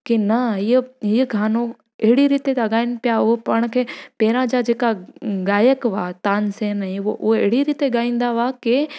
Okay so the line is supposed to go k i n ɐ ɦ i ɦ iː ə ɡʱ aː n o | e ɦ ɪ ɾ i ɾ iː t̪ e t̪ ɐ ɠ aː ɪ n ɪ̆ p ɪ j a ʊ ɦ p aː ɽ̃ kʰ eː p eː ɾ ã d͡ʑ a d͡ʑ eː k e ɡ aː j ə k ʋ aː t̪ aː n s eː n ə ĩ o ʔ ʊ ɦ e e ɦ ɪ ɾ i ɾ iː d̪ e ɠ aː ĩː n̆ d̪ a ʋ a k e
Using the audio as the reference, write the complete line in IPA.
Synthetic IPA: k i n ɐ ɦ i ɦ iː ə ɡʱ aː n o | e ɦ ɪ ɽ i ɾ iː t̪ e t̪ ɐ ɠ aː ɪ n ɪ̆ p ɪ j a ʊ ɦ p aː ɽ̃ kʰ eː p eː ɾ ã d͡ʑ a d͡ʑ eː k a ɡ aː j ə k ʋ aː t̪ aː n s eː n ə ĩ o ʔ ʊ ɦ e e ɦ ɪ ɽ i ɾ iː t̪ e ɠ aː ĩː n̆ d̪ a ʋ a k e

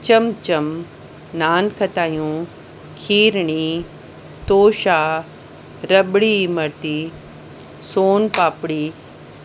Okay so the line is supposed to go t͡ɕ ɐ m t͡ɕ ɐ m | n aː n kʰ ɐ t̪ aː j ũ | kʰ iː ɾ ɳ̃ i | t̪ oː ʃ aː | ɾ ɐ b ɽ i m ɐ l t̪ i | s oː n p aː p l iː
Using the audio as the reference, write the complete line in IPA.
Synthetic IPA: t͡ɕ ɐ m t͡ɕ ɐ m | n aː n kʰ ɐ t̪ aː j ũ | kʰ iː ɾ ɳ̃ i | t̪ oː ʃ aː | ɾ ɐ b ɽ i m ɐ ɾ t̪ i | s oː n p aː p ɽ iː

